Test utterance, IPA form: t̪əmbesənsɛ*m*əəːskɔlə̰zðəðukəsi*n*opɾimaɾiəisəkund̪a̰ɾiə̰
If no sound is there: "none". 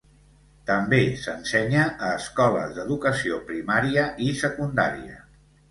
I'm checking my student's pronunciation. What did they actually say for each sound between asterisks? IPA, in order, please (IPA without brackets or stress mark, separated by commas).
ɲ, none